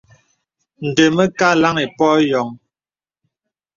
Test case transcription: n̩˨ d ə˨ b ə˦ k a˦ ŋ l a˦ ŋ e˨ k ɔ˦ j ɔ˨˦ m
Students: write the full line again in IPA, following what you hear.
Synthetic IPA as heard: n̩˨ d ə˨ m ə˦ k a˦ l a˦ ŋ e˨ p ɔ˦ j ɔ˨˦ ŋ